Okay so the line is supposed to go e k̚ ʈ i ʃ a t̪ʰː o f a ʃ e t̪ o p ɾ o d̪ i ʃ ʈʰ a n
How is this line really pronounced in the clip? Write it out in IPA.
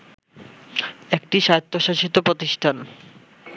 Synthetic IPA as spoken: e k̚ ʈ i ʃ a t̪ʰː o ʃ a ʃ i t̪ o p ɾ o t̪ i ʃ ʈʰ a n